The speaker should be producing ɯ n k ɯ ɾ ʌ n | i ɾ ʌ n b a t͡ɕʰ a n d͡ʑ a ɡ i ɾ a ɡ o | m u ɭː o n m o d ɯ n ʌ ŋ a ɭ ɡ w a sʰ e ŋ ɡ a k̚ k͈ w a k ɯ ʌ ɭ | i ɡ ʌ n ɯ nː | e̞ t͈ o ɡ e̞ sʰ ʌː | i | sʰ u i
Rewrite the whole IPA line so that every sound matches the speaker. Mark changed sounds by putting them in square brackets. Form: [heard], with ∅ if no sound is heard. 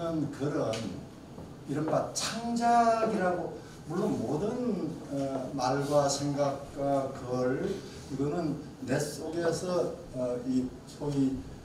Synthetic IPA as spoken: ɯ n k ɯ ɾ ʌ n | i ɾ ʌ n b a t͡ɕʰ a [ŋ] d͡ʑ a ɡ i ɾ a ɡ o | m u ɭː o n m o d ɯ n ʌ [m] a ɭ ɡ w a sʰ e ŋ ɡ a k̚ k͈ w a k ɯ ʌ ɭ | i ɡ ʌ n ɯ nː | e̞ [s͈] o ɡ e̞ sʰ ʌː | i | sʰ [o] i